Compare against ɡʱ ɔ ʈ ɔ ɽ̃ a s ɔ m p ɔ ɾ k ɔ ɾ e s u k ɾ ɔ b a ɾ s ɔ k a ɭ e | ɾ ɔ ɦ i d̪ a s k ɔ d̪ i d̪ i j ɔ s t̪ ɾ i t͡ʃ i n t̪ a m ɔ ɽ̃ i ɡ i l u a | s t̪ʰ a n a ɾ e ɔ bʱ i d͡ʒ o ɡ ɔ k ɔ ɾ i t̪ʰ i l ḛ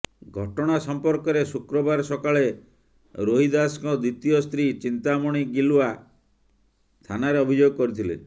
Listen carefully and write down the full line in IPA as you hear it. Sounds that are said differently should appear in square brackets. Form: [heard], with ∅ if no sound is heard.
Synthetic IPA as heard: ɡʱ ɔ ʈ ɔ ɽ̃ a s ɔ m p ɔ ɾ k ɔ ɾ e s u k ɾ ɔ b a ɾ s ɔ k a ɭ e | ɾ [o] ɦ i d̪ a s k ɔ d̪ i [t̪] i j ɔ s t̪ ɾ i t͡ʃ i n t̪ a m ɔ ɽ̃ i ɡ i l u a | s t̪ʰ a n a ɾ e ɔ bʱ i d͡ʒ o ɡ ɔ k ɔ ɾ i t̪ʰ i l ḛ